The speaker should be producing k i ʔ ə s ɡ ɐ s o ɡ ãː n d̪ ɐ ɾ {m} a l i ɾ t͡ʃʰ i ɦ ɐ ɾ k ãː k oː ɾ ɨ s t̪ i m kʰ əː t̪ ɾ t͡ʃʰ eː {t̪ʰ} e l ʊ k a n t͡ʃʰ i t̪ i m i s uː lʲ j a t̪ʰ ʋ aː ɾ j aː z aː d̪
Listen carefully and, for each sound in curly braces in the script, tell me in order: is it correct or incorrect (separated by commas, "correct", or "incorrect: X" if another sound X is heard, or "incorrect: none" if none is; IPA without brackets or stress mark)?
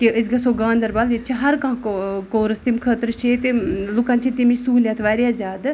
incorrect: b, incorrect: t̪